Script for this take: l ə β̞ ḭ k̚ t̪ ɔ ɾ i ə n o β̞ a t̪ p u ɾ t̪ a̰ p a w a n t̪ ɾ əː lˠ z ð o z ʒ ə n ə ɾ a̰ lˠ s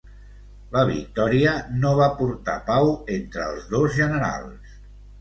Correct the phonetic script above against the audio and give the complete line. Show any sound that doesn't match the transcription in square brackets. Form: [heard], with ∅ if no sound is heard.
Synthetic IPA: l ə β̞ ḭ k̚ t̪ ɔ ɾ i ə n o β̞ a [∅] p u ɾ t̪ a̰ p a w [e] n t̪ ɾ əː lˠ z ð o z ʒ ə n ə ɾ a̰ lˠ s